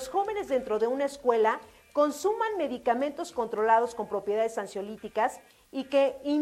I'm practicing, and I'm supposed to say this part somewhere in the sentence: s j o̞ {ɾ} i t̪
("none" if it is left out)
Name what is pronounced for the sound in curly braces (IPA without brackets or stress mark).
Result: l